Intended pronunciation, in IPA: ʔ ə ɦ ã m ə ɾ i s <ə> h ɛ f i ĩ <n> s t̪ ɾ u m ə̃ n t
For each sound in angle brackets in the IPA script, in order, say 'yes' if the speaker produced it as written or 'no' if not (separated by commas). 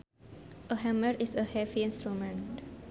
yes, yes